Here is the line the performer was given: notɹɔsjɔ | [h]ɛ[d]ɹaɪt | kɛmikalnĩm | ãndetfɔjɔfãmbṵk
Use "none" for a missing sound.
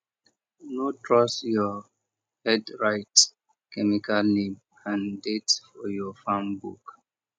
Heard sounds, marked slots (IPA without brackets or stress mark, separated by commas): h, d